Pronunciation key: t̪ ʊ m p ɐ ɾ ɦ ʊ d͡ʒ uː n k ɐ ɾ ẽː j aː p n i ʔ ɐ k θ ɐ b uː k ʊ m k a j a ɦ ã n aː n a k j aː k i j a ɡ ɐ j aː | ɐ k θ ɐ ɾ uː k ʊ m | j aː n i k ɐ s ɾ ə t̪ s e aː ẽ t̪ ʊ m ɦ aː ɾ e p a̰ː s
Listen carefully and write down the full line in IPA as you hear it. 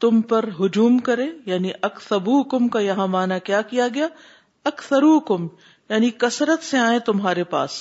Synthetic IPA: t̪ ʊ m p ɐ ɾ ɦ ʊ d͡ʒ uː m k ɐ ɾ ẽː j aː n i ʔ ɐ k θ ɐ b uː k ʊ m k a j ɐ ɦ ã m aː n a k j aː k i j a ɡ ɐ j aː | ɐ k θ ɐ ɾ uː k ʊ m | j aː n i k ɐ s ɾ ə t̪ s e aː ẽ t̪ ʊ m ɦ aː ɾ e p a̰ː s